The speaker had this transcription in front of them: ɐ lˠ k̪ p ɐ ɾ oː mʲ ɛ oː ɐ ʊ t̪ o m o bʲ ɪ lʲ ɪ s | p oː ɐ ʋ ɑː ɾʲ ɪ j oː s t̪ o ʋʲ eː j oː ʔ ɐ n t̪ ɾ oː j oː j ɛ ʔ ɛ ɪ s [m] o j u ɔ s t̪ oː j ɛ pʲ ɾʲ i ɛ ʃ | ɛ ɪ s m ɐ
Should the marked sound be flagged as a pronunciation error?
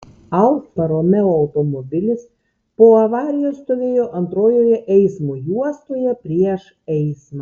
no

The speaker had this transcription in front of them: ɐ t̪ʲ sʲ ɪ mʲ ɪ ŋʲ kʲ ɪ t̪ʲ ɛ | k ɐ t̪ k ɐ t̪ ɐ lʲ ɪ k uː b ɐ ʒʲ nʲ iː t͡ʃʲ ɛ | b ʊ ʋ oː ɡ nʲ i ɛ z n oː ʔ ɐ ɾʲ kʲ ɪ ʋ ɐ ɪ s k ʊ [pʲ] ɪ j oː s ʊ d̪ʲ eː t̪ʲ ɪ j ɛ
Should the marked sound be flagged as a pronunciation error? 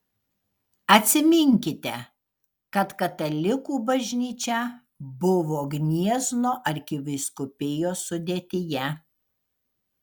no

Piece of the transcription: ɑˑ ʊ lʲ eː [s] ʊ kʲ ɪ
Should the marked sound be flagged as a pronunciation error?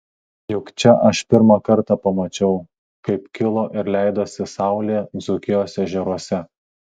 yes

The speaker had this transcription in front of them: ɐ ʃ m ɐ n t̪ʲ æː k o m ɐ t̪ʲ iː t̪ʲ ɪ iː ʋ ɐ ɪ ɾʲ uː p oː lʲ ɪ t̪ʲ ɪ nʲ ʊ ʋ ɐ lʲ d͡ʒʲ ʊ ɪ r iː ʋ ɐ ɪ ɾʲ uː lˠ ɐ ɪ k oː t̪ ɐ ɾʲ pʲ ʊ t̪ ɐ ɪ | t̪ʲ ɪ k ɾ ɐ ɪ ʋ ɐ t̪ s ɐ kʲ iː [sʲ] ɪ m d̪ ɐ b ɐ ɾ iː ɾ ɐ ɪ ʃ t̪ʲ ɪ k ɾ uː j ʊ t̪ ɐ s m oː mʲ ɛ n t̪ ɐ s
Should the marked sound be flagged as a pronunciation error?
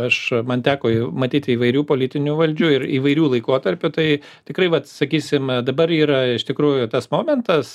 no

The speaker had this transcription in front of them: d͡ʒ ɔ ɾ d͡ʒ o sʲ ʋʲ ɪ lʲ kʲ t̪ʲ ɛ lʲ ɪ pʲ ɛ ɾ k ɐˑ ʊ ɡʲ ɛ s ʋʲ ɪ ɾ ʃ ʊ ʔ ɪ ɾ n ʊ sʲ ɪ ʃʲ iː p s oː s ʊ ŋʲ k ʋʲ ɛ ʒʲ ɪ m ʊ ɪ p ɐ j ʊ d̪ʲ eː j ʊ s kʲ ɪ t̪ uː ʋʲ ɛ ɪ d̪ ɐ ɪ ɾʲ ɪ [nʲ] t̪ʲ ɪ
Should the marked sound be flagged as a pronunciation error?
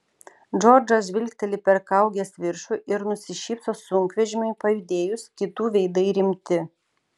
yes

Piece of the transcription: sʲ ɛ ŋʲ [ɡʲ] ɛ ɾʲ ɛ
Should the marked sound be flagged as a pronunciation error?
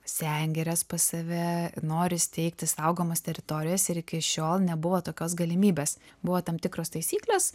no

